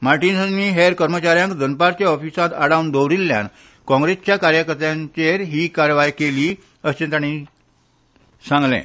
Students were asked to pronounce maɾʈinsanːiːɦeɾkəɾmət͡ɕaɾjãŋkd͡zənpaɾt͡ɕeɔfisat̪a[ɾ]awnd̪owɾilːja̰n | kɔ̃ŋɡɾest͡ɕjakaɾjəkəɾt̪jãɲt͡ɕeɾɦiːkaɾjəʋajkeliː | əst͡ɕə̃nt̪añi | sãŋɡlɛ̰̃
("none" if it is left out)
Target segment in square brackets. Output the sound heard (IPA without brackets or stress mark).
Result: ɽ